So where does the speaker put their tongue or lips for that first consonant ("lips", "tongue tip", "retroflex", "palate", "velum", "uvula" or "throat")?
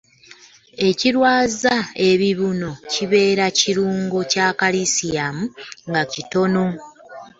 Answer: palate